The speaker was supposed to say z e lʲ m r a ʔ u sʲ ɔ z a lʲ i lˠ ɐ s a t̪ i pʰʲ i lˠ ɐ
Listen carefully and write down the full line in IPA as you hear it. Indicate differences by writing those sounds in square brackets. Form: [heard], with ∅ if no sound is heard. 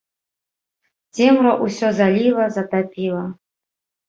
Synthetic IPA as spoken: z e [∅] m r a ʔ u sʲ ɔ z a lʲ i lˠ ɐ [z] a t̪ [a] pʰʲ i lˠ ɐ